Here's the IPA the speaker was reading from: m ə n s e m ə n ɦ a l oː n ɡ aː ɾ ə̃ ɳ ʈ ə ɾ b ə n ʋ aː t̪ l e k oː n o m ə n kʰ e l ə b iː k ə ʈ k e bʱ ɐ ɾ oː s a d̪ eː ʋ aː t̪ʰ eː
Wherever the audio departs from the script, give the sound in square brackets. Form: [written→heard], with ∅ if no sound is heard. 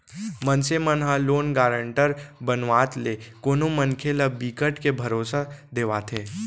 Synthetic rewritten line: m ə n s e m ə n ɦ a l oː n ɡ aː ɾ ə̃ ɳ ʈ ə ɾ b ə n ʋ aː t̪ l e k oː n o m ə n kʰ e l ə b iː k ə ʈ k e bʱ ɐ ɾ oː s a d̪ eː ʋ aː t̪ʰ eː